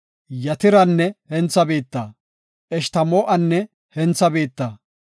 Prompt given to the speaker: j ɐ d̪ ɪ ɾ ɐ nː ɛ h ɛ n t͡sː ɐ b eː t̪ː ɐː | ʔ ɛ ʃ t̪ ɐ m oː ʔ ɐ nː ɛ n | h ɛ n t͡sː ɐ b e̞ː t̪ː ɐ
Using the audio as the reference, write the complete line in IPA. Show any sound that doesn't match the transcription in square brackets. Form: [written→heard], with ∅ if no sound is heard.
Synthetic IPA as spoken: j ɐ [d̪→t̪] ɪ ɾ ɐ nː ɛ h ɛ n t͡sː ɐ b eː t̪ː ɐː | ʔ ɛ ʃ t̪ ɐ m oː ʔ ɐ nː ɛ [n→∅] | h ɛ n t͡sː ɐ b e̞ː t̪ː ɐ